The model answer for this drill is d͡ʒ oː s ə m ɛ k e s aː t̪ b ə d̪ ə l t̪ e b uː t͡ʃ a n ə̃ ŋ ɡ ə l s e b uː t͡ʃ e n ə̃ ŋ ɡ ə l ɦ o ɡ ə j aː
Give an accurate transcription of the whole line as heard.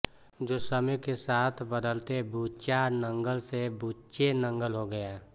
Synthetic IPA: d͡ʒ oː s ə m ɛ k e s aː t̪ʰ b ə d̪ ə l t̪ e b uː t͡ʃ a n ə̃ ŋ ɡ ə l s e b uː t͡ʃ e n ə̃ ŋ ɡ ə l ɦ o ɡ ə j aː